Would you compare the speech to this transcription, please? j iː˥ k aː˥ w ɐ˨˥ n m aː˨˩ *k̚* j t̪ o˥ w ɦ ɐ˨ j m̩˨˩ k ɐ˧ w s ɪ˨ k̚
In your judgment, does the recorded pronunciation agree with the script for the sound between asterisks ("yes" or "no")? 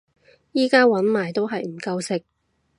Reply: no